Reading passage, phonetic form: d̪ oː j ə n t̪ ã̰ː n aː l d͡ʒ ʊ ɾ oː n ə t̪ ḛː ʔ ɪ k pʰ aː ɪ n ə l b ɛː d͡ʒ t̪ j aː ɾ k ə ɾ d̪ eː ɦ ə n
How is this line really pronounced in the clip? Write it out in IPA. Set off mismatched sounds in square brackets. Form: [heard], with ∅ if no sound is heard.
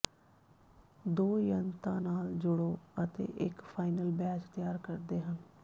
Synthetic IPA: d̪ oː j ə n t̪ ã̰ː n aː l d͡ʒ ʊ [ɽ] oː [∅] ə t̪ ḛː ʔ ɪ k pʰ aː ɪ n ə l b ɛː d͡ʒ t̪ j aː ɾ k ə ɾ d̪ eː ɦ ə n